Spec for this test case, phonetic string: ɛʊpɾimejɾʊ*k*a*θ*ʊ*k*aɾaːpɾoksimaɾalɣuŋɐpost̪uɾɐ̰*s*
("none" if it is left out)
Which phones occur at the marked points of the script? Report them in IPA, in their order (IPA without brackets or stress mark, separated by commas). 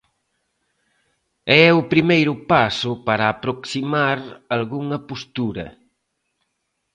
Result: p, s, p, none